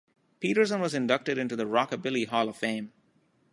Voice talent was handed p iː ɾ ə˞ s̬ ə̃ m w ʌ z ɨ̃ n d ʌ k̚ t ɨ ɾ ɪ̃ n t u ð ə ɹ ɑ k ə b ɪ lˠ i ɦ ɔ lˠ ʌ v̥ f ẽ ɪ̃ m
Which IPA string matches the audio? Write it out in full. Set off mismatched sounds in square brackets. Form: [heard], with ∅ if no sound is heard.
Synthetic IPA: p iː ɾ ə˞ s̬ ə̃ [n] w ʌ z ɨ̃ n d ʌ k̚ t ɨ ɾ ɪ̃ n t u ð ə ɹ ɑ k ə b ɪ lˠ i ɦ ɔ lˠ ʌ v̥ f ẽ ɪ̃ m